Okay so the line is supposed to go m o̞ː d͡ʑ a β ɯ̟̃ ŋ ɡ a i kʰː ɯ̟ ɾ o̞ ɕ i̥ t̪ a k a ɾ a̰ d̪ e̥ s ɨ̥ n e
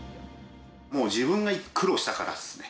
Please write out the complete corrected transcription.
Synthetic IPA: m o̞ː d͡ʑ i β ɯ̟̃ ŋ ɡ a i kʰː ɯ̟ ɾ o̞ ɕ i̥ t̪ a k a ɾ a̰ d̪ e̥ s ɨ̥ n e